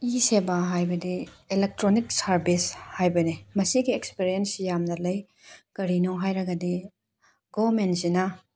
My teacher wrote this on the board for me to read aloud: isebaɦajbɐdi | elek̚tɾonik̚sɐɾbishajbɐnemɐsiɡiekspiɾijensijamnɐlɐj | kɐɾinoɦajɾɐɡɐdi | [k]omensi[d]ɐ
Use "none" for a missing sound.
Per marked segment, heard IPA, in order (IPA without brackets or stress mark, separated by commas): ɡ, n